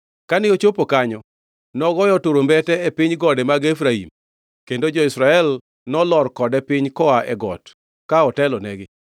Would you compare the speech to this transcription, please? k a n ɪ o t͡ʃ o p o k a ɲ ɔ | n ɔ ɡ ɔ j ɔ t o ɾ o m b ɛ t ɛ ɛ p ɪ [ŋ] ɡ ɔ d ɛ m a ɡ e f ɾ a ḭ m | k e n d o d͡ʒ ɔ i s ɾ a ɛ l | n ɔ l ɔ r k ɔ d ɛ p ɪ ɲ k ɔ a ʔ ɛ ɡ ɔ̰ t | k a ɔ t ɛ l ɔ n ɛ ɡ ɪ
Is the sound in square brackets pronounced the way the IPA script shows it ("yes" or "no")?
no